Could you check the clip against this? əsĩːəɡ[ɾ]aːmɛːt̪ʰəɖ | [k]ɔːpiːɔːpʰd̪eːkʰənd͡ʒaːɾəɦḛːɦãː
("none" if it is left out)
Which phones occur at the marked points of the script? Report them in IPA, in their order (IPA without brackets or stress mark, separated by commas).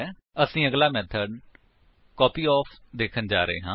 l, k